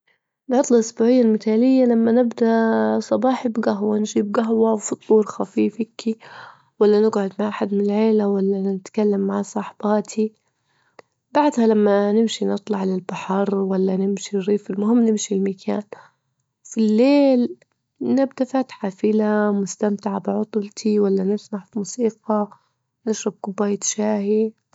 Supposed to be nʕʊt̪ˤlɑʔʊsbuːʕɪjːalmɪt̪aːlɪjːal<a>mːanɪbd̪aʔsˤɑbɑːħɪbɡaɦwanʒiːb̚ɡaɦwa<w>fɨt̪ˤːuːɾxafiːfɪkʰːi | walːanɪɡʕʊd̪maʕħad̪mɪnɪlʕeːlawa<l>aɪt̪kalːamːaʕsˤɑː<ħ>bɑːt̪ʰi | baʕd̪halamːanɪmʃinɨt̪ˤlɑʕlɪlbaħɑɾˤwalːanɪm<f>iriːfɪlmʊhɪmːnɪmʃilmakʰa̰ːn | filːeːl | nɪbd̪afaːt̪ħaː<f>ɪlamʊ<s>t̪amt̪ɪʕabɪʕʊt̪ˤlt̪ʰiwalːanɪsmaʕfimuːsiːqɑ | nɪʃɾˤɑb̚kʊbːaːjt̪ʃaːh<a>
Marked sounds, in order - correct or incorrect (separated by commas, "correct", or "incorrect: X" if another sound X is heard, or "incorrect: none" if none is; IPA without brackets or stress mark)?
correct, correct, incorrect: lː, correct, incorrect: ʃ, correct, correct, incorrect: i